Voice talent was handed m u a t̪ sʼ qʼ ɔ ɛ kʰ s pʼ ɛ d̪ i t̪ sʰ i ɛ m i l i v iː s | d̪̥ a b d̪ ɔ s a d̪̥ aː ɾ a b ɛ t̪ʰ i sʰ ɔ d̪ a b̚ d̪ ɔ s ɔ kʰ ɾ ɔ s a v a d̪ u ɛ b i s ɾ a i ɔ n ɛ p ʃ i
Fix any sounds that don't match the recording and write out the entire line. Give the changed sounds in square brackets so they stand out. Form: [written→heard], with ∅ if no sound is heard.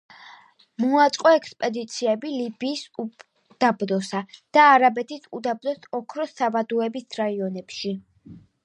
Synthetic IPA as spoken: m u a t̪ sʼ qʼ ɔ ɛ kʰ s pʼ ɛ d̪ i t̪ sʰ i ɛ [m→b] i l i [v→b] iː s | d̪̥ a b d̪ ɔ s a d̪̥ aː ɾ a b ɛ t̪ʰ i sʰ [ɔ→u] d̪ a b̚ d̪ ɔ s ɔ kʰ ɾ ɔ s a v a d̪ u ɛ b i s ɾ a i ɔ n ɛ p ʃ i